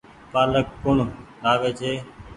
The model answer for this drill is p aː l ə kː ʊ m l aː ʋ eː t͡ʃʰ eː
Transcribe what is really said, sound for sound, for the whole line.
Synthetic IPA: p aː l ə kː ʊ ɳ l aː ʋ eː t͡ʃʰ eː